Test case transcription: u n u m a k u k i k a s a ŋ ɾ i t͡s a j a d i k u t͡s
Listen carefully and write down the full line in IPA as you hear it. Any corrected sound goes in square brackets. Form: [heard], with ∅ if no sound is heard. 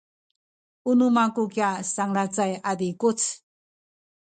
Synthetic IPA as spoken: u n u m a k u k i [∅] a s a ŋ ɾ [a] t͡s a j a d i k u t͡s